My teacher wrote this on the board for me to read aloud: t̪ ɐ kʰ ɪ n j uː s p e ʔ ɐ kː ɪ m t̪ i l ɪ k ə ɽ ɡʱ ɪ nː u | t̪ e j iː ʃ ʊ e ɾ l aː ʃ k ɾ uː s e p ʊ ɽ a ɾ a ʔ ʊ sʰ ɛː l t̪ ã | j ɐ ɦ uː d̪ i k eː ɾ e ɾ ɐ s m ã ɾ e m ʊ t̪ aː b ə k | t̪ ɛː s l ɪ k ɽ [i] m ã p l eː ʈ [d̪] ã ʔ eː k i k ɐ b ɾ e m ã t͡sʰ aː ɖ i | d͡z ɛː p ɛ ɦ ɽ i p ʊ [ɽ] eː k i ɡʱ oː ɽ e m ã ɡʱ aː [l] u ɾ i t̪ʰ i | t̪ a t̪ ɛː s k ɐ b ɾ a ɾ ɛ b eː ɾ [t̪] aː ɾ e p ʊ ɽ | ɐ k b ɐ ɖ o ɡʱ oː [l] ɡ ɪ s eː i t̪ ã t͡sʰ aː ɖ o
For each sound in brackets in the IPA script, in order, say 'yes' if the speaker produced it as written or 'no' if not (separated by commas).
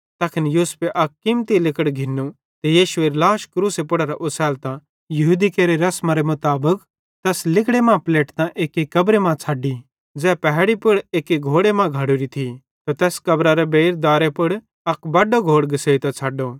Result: no, no, yes, no, no, no